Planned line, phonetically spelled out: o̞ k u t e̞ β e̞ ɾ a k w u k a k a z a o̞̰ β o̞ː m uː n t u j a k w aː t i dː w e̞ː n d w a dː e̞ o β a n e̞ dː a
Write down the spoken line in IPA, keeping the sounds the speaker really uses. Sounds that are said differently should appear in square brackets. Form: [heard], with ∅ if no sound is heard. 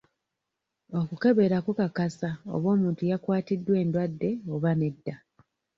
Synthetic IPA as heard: o̞ k u [k] e̞ β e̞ ɾ a k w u k a k a [s] a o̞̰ β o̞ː m uː n t u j a k w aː t i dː w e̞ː n d w a dː e̞ o β a n e̞ dː a